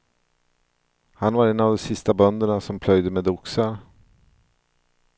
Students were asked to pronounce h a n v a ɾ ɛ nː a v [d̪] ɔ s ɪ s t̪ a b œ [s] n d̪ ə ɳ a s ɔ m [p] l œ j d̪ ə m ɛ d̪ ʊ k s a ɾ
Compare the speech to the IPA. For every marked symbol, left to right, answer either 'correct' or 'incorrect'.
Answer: correct, incorrect: none, incorrect: pʰ

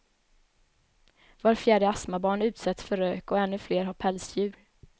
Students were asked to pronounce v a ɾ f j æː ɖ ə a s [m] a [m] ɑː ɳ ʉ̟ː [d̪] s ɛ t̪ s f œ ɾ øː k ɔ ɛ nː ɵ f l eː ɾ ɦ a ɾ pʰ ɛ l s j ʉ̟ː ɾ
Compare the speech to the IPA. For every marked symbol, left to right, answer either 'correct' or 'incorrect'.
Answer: correct, incorrect: b, incorrect: t̪

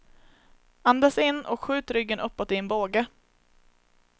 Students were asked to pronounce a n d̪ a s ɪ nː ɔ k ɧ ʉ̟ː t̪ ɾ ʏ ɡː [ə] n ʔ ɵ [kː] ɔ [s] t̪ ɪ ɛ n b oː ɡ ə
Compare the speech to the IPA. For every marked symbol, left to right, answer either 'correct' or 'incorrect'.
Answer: correct, incorrect: pː, incorrect: none

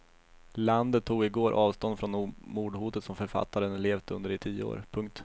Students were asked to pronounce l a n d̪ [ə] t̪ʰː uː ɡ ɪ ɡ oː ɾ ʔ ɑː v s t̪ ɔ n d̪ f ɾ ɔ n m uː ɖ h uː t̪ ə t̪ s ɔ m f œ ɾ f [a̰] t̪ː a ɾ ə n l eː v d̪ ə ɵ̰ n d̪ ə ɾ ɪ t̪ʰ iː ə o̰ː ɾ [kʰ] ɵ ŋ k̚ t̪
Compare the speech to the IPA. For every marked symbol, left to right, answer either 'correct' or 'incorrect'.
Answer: correct, correct, incorrect: pʰ

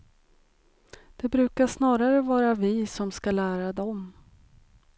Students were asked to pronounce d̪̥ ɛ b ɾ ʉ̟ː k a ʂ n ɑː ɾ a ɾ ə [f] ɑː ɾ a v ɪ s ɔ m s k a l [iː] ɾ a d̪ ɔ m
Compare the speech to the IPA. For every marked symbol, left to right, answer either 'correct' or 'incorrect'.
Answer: incorrect: v, incorrect: æː

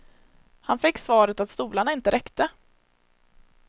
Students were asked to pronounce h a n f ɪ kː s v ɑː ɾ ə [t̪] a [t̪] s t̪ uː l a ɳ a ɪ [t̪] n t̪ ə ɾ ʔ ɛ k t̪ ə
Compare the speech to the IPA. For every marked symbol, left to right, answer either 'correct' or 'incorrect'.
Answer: correct, correct, incorrect: none

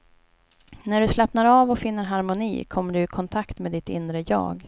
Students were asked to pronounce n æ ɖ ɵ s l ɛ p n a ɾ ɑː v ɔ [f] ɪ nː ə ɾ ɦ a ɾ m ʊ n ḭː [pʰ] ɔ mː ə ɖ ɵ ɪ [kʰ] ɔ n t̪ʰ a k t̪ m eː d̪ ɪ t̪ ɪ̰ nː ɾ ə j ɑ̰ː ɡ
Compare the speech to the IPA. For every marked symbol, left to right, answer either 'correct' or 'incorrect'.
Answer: correct, incorrect: kʰ, correct

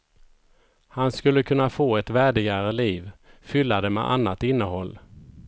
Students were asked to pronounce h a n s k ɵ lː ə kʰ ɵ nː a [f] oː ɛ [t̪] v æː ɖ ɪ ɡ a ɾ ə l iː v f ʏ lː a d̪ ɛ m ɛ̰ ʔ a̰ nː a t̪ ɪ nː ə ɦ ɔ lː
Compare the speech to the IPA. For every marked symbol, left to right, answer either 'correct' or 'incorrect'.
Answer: correct, correct

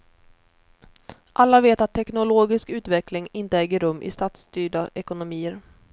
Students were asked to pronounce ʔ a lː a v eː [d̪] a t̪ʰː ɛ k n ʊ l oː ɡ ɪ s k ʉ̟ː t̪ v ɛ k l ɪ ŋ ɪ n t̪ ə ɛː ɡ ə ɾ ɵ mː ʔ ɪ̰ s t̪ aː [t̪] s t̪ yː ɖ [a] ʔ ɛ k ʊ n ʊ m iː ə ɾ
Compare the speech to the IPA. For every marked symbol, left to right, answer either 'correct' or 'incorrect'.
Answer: incorrect: t̪, correct, correct

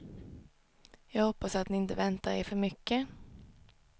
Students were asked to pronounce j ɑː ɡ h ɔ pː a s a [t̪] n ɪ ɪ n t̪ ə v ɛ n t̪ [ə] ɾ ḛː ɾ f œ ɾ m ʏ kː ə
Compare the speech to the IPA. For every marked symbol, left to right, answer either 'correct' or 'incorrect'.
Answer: correct, incorrect: a

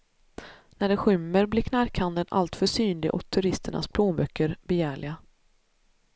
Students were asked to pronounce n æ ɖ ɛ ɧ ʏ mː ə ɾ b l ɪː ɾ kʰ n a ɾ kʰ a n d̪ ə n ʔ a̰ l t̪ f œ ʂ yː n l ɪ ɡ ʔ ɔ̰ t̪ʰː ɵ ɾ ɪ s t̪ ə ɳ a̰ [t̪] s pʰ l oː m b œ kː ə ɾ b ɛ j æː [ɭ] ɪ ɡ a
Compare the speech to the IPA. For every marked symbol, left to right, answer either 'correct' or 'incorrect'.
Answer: incorrect: none, correct

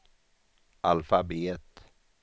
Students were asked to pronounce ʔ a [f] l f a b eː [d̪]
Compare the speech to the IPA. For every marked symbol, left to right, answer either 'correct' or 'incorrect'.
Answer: incorrect: none, incorrect: t̪

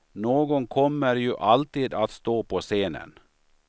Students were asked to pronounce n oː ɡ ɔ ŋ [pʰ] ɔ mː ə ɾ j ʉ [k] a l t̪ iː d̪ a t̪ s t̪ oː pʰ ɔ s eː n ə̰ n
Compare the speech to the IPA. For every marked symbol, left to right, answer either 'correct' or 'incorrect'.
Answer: incorrect: kʰ, incorrect: ʔ

